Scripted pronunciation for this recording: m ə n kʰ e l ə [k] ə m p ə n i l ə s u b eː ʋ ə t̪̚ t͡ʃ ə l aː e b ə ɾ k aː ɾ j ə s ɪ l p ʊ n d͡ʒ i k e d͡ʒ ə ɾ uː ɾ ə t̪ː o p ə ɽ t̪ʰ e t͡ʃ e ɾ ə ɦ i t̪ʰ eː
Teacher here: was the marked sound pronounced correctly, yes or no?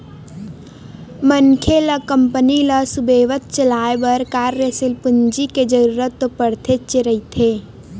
yes